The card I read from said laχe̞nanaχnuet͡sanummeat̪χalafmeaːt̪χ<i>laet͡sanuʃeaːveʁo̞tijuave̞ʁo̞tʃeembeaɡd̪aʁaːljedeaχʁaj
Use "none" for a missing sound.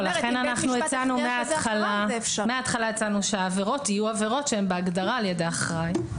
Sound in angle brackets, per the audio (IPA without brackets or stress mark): a